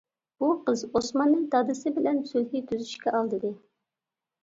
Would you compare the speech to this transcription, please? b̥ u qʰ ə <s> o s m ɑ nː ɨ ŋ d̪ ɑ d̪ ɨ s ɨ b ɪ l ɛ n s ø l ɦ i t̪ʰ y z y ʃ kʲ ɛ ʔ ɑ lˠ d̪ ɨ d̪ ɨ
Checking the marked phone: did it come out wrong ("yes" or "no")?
yes